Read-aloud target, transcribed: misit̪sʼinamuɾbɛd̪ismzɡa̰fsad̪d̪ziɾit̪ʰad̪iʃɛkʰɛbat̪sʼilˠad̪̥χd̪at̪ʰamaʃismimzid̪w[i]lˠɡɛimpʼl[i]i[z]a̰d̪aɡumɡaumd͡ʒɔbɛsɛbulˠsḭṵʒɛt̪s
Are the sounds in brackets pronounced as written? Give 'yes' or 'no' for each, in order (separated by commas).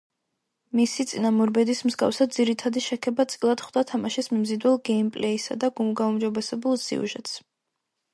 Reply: no, no, no